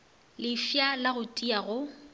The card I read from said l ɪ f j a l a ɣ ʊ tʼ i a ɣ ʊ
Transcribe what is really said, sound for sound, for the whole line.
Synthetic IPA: l ɪ f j a l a ɣ ʊ tʼ i a ɣ ʊ